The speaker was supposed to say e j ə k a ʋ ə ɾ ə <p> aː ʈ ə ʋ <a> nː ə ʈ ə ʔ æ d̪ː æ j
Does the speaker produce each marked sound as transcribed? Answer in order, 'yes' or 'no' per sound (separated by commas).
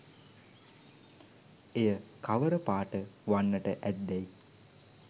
yes, yes